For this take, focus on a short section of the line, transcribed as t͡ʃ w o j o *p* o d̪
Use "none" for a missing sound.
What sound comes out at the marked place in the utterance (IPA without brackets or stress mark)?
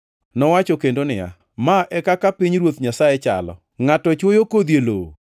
k